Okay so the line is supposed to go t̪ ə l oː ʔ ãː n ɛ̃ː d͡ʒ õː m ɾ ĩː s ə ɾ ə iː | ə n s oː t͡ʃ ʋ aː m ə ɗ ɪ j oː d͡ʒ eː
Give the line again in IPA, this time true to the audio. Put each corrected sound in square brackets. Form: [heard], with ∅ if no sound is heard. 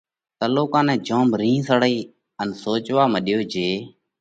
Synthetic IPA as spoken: t̪ ə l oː [k] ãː n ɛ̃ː d͡ʒ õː m ɾ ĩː s ə [ɽ] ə iː | ə n s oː t͡ʃ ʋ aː m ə ɗ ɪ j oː d͡ʒ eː